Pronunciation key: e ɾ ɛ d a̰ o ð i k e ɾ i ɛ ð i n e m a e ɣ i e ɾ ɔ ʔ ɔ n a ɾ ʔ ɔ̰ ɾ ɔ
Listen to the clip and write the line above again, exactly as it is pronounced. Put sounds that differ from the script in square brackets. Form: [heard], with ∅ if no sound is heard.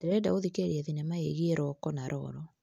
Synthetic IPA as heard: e ɾ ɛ d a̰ o ð i k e ɾ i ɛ ð i n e m a e ɣ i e ɾ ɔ [k] ɔ n a ɾ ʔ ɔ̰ ɾ ɔ